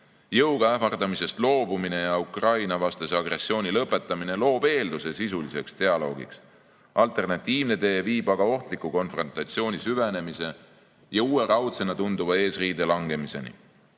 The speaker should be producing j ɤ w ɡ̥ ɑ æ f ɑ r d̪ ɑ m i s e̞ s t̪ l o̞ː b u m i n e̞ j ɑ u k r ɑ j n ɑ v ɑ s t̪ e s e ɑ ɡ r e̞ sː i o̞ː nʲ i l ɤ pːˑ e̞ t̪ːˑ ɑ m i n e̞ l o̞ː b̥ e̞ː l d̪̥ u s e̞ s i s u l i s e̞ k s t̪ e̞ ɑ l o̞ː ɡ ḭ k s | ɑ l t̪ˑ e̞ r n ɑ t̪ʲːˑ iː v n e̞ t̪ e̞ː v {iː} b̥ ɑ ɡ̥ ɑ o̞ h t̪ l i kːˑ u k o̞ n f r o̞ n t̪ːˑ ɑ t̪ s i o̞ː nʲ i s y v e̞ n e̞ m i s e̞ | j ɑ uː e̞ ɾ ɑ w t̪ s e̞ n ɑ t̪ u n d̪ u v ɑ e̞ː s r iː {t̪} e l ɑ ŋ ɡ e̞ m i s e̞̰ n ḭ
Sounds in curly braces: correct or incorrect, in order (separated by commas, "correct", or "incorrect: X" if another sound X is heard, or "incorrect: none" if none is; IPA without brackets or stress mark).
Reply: correct, incorrect: d̪